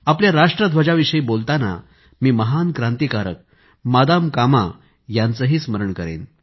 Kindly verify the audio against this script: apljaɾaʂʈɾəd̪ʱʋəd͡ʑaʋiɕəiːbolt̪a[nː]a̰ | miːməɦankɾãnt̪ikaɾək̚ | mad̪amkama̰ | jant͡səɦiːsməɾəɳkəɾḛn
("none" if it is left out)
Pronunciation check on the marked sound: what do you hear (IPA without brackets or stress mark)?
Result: n